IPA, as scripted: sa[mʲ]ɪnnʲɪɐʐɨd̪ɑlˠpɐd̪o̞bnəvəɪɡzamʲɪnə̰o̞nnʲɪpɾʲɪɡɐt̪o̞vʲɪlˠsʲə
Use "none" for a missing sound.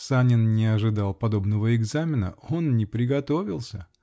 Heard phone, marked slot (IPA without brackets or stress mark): nʲ